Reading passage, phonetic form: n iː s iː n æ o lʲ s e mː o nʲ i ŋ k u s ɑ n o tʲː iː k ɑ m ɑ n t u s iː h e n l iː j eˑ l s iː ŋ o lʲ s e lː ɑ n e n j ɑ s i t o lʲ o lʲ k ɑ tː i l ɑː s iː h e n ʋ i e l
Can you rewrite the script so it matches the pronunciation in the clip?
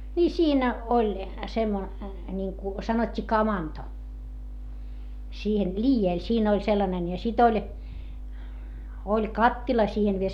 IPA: n iː s iː n æ o lʲ s e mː o nʲ i ŋ k u s ɑ n o tʲː iː k ɑ m ɑ n t o s iː h e n l iː j eˑ l s iː n o lʲ s e lː ɑ n e n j ɑ s i t o lʲ o lʲ k ɑ tː i l ɑ s iː h e n ʋ i e l